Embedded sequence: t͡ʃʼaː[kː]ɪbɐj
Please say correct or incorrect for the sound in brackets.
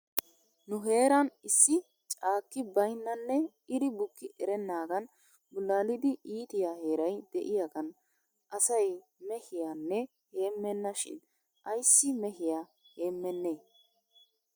correct